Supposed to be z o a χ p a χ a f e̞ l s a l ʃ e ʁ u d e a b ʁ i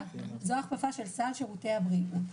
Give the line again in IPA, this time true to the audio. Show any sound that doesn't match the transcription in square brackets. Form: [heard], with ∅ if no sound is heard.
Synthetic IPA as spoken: z o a χ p a [f] a [ʃ] e̞ l s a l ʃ e ʁ u [t] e a b ʁ i